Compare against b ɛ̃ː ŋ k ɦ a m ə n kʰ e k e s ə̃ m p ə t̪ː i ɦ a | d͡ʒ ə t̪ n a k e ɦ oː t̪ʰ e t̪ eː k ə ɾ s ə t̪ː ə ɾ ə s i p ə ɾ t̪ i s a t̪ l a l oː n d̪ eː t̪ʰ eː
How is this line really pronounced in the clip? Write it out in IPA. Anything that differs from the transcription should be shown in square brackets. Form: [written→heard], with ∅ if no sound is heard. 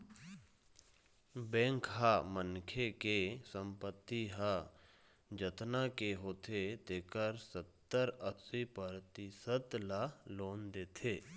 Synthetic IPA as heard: b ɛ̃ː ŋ k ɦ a m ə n kʰ e k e s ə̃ m p ə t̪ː i ɦ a | d͡ʒ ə t̪ n a k e ɦ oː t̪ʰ e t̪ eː k ə ɾ s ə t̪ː ə ɾ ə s i p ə ɾ t̪ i s [a→ə] t̪ l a l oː n d̪ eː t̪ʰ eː